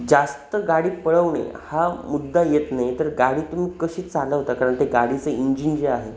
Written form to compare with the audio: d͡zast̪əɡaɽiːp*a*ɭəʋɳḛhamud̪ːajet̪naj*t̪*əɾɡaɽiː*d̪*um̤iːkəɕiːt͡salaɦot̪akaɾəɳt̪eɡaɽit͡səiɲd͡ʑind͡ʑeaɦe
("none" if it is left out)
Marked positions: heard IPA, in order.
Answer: ə, t̪, t̪

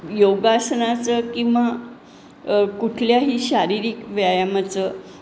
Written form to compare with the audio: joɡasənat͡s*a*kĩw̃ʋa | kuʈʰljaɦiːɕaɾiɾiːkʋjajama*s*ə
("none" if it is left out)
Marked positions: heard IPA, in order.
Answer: ə, t͡s

